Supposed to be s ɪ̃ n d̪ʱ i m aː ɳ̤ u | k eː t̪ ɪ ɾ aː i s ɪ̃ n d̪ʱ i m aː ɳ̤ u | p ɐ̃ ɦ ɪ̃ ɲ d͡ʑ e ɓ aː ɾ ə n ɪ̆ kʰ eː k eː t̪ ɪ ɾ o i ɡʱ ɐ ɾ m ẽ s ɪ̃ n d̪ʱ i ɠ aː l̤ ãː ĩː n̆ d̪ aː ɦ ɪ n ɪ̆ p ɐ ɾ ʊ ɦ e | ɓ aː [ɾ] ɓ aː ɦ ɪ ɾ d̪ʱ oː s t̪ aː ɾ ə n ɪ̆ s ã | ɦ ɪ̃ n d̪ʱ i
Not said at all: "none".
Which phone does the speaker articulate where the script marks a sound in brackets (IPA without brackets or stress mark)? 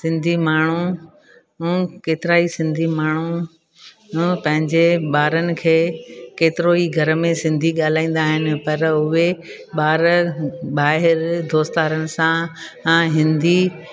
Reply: ɾ